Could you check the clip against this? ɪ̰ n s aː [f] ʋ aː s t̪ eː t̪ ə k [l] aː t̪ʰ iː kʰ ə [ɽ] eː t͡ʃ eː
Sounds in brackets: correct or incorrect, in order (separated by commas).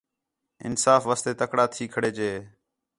correct, incorrect, correct